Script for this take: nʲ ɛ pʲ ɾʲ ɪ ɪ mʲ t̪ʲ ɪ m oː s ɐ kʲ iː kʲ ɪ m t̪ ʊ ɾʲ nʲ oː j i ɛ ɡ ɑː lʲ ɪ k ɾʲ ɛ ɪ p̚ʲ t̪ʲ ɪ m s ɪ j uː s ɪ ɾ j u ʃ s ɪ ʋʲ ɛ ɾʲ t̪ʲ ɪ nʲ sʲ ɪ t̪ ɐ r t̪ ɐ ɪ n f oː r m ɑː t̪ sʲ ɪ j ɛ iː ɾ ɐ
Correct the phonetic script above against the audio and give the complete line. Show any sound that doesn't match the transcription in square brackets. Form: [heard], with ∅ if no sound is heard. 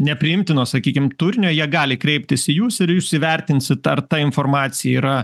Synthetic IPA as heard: nʲ ɛ pʲ ɾʲ ɪ ɪ mʲ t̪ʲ ɪ [n] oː s ɐ kʲ iː kʲ ɪ m t̪ ʊ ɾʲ nʲ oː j i ɛ ɡ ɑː lʲ ɪ k ɾʲ ɛ ɪ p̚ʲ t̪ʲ ɪ [∅] s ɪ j uː s ɪ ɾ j u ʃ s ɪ ʋʲ ɛ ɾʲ t̪ʲ ɪ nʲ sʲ ɪ t̪ ɐ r t̪ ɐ ɪ n f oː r m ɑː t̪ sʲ ɪ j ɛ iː ɾ ɐ